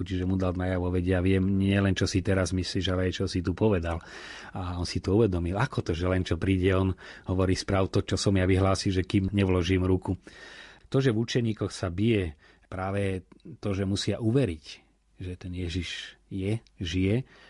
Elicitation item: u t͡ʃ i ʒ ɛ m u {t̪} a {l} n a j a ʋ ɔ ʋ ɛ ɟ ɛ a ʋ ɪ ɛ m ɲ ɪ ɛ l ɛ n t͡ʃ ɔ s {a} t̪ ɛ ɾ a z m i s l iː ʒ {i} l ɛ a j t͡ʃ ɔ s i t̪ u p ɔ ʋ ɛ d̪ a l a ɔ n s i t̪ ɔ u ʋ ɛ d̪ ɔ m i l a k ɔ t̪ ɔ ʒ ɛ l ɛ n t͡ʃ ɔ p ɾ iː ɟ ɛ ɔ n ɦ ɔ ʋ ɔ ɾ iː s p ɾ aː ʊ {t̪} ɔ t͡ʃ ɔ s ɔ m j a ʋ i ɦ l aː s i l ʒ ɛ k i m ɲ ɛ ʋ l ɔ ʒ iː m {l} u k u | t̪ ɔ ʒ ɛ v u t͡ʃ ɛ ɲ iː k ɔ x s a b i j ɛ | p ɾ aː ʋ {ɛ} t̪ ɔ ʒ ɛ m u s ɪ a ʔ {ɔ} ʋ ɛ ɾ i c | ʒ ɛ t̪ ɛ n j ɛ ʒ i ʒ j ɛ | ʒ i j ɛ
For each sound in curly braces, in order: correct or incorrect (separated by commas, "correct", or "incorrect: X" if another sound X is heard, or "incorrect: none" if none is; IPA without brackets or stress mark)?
incorrect: d̪, correct, incorrect: i, incorrect: a, correct, incorrect: ɾ, correct, incorrect: u